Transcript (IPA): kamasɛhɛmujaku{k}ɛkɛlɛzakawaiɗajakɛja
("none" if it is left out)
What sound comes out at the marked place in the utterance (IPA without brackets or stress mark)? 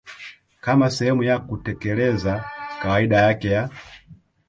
t